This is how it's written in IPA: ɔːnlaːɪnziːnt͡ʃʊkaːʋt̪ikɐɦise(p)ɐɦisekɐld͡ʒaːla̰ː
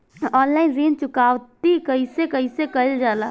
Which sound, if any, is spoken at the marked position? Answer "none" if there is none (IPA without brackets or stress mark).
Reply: k